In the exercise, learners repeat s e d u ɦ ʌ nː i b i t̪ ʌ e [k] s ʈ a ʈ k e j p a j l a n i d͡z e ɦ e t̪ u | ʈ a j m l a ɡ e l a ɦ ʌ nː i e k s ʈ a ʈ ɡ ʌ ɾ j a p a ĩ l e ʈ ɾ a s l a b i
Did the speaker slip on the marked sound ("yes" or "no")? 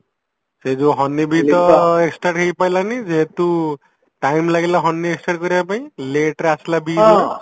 no